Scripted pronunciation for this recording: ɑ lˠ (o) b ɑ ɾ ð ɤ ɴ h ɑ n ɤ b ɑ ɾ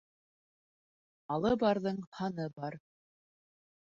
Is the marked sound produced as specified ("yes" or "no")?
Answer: no